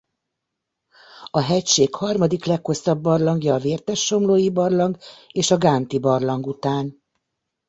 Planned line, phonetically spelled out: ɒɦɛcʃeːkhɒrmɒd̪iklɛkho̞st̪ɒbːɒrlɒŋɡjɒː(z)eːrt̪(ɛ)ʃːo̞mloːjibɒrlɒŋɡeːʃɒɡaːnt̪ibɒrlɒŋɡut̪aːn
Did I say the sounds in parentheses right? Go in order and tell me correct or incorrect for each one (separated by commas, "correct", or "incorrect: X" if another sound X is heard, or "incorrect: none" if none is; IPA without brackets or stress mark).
incorrect: v, correct